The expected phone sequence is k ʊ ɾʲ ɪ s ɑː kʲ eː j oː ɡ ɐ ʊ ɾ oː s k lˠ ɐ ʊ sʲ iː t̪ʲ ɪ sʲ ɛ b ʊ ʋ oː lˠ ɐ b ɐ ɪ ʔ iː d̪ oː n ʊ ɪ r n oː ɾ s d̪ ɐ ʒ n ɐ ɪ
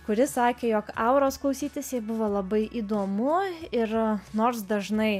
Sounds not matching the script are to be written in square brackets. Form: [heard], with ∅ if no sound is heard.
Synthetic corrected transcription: k ʊ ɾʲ ɪ s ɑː kʲ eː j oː [k] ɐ ʊ ɾ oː s k lˠ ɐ ʊ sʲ iː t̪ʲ ɪ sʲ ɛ b ʊ ʋ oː lˠ ɐ b ɐ ɪ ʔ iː d̪ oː [m] ʊ ɪ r n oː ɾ s d̪ ɐ ʒ n ɐ ɪ